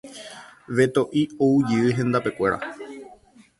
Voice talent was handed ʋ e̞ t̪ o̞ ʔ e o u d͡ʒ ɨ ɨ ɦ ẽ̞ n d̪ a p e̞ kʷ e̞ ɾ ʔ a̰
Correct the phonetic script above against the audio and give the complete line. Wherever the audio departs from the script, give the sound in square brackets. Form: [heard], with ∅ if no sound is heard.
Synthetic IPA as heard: ʋ e̞ t̪ o̞ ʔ [i] o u d͡ʒ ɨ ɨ ɦ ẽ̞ n d̪ a p e̞ kʷ e̞ ɾ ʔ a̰